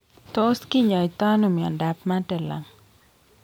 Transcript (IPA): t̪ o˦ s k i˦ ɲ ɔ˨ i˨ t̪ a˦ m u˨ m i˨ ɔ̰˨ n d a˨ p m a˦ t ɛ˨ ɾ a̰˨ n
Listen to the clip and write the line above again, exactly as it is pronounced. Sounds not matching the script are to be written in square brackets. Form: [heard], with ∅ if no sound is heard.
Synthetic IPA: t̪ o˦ s k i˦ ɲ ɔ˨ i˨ t̪ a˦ [n] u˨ m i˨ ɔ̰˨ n d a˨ p m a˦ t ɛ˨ [l] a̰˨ [ŋ]